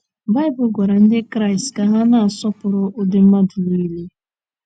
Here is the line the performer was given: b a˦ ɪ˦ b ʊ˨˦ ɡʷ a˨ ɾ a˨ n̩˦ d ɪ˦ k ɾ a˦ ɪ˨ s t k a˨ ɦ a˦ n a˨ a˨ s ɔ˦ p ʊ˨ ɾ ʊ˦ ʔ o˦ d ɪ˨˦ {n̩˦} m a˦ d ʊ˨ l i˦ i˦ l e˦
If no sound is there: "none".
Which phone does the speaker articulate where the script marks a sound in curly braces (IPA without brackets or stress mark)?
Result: m̩˦